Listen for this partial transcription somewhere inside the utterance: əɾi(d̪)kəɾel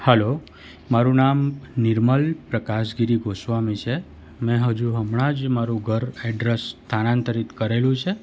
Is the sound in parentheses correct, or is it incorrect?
incorrect